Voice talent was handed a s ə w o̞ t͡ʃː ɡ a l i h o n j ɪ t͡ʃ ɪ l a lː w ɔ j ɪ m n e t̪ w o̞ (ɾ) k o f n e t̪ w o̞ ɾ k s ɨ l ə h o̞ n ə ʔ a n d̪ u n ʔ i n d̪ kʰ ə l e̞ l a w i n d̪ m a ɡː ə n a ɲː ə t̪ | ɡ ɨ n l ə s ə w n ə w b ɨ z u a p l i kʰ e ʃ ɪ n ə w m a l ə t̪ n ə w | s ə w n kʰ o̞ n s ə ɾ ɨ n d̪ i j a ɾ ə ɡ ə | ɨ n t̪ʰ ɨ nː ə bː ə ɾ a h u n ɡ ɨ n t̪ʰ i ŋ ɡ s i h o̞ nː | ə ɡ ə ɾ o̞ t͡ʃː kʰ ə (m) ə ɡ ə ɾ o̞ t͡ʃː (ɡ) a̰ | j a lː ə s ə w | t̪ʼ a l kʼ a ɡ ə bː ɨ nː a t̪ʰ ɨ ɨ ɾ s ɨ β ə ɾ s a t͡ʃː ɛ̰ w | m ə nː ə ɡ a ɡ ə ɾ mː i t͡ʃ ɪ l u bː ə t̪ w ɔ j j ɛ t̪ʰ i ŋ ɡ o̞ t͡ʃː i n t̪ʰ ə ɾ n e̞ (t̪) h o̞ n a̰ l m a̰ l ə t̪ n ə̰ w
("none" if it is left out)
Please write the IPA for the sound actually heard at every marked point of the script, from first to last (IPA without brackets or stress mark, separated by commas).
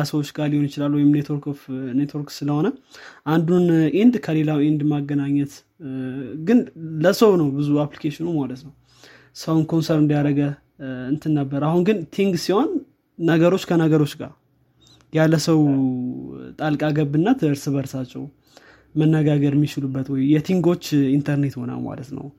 ɾ, n, ɡ, t̪